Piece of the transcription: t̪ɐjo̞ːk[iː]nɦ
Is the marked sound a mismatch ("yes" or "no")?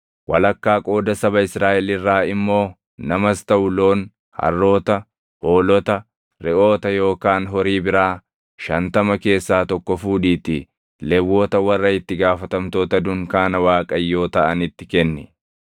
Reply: yes